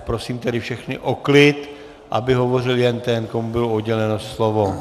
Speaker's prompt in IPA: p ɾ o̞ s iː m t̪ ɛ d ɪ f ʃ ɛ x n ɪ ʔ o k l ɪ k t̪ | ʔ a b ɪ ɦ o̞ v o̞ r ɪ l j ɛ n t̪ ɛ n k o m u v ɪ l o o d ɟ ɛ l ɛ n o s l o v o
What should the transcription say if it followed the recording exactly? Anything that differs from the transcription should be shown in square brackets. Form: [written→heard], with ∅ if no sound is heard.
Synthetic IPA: p ɾ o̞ s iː m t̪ ɛ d ɪ f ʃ ɛ x n ɪ ʔ o k l ɪ [k→∅] t̪ | ʔ a b ɪ ɦ o̞ v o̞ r ɪ l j ɛ n t̪ ɛ n k o m u [v→b] ɪ l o o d ɟ ɛ l ɛ n o s l o v o